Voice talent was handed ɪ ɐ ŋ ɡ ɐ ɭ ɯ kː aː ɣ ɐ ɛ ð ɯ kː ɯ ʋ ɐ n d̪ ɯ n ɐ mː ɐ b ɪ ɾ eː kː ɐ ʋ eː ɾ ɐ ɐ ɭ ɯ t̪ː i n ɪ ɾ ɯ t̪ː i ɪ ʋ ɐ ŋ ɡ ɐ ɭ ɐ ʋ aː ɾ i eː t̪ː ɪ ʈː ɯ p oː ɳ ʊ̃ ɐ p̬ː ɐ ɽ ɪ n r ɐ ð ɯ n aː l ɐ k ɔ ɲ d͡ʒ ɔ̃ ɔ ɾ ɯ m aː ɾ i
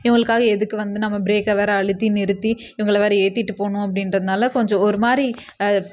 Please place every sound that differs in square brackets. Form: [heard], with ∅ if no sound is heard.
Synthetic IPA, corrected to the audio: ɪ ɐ ŋ ɡ ɐ ɭ ɯ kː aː ɣ ɐ ɛ ð ɯ kː ɯ ʋ ɐ n d̪ ɯ n ɐ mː ɐ b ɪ ɾ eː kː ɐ ʋ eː ɾ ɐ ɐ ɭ ɯ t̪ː i n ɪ ɾ ɯ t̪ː i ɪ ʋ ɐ ŋ ɡ ɐ ɭ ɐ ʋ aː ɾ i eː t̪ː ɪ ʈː ɯ p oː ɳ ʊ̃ ɐ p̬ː ɐ ɽ ɪ n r ɐ ð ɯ n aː l ɐ k ɔ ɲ d͡ʒ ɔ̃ ɔ ɾ ɯ m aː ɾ i